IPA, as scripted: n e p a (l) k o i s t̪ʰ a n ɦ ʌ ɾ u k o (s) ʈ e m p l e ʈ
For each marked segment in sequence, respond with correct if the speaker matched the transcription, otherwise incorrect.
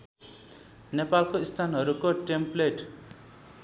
correct, incorrect

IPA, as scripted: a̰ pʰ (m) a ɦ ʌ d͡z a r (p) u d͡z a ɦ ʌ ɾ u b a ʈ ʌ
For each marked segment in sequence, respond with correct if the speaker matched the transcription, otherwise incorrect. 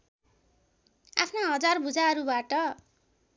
incorrect, incorrect

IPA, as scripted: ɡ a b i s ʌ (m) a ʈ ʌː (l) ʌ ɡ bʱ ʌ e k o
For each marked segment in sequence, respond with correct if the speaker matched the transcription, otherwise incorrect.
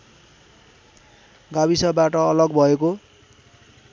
incorrect, correct

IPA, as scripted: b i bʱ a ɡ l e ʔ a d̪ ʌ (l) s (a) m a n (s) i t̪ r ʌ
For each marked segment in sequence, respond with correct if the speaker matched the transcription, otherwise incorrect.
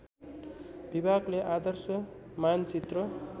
incorrect, incorrect, incorrect

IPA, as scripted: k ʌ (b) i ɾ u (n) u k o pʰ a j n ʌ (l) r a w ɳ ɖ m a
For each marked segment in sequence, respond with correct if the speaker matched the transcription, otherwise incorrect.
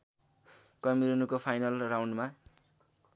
incorrect, correct, correct

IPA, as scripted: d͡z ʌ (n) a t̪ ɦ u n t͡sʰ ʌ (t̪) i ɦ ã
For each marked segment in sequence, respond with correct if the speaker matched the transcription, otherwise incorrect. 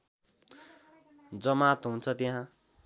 incorrect, correct

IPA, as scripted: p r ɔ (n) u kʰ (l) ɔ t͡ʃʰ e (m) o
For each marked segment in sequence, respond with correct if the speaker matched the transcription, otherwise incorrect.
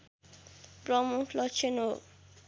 incorrect, correct, incorrect

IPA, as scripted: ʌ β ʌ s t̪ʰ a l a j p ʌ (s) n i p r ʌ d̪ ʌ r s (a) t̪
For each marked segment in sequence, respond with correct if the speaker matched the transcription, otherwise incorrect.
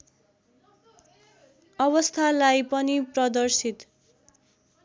incorrect, incorrect

